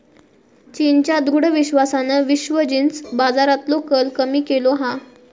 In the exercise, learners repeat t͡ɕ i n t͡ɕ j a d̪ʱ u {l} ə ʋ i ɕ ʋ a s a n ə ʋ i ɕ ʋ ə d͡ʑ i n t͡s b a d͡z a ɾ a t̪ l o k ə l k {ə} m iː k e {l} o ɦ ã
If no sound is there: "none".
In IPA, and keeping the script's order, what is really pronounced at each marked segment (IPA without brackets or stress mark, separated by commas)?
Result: ɽ, ə, l